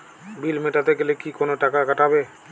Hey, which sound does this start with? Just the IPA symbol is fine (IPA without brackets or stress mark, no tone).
b